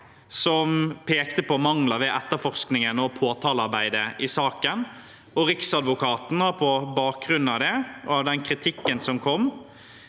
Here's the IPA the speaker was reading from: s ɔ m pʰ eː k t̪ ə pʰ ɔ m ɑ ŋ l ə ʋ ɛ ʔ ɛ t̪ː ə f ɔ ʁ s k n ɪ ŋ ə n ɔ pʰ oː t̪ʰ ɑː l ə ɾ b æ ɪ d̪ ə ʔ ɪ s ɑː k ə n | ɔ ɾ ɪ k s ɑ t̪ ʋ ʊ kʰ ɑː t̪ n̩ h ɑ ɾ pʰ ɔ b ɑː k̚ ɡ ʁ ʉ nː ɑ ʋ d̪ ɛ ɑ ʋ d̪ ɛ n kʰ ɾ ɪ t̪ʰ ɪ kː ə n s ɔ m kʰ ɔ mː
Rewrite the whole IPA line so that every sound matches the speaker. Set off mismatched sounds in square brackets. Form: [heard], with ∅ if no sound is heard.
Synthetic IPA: s ɔ m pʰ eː k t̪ ə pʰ ɔ m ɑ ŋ l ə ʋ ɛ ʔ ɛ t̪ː ə f ɔ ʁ s k n ɪ ŋ ə n ɔ pʰ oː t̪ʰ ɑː l [ɑ] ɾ b æ ɪ d̪ ə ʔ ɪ s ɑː k ə n | ɔ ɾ ɪ k s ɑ [d̪] ʋ ʊ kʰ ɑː t̪ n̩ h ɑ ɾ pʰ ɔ b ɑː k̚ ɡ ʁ ʉ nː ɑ ʋ d̪ ɛ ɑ ʋ d̪ ɛ n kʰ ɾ ɪ t̪ʰ ɪ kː ə n s ɔ m kʰ ɔ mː